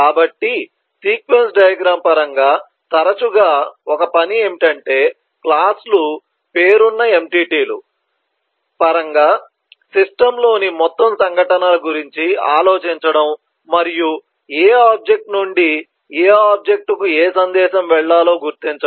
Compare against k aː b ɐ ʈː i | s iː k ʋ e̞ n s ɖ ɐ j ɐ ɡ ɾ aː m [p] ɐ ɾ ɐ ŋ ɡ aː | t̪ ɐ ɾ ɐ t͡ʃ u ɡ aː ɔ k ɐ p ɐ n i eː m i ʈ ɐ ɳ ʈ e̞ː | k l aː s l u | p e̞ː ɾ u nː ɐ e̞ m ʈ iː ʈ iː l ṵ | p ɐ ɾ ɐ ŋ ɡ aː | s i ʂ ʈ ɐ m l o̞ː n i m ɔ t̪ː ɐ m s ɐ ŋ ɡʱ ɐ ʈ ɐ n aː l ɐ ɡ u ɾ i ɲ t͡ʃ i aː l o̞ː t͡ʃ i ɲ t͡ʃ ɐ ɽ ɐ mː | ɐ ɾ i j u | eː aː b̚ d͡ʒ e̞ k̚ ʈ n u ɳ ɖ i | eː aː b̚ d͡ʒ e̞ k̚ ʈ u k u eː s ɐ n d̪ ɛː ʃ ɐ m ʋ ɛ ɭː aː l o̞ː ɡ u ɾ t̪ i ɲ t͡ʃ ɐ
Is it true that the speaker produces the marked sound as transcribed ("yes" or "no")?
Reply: yes